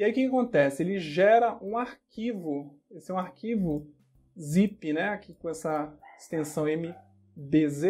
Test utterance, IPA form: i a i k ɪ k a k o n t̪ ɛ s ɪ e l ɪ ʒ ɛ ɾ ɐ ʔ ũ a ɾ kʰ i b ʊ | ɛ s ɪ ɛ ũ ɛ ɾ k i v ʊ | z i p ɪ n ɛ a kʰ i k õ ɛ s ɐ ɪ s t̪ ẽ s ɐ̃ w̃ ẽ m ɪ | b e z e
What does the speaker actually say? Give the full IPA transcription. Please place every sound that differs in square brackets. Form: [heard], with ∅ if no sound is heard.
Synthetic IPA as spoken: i a i k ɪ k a k [õ] n t̪ ɛ s ɪ e l ɪ ʒ ɛ ɾ ɐ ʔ ũ a ɾ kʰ i [v] ʊ | [e] s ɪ ɛ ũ [a] ɾ k i v ʊ | z i p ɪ n ɛ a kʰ i k õ ɛ s ɐ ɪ s t̪ ẽ s ɐ̃ w̃ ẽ m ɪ | b e z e